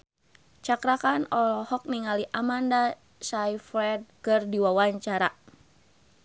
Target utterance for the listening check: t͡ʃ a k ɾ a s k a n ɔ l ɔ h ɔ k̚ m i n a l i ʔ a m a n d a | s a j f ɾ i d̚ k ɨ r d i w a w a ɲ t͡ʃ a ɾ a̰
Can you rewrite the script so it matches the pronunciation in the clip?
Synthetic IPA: t͡ʃ a k ɾ a k a n ɔ l ɔ h ɔ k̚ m i ŋ a l i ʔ a m a n d a | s a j f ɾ ɛ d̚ k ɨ r d i w a w a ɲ t͡ʃ a ɾ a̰